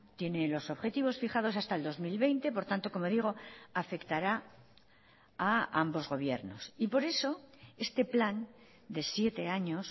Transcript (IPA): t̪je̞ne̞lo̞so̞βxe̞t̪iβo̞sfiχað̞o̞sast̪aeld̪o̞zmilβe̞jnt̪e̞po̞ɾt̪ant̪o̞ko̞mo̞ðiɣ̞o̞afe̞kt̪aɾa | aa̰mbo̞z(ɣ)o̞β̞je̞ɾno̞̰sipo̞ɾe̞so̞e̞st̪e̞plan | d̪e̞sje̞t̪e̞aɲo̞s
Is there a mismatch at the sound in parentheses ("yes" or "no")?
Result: no